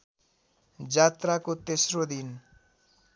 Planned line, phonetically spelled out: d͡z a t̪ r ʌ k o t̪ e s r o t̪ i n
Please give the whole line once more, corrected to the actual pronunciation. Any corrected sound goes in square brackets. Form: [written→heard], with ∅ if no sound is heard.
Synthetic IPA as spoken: d͡z a t̪ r [ʌ→a] k o t̪ e s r o [t̪→d̪] i n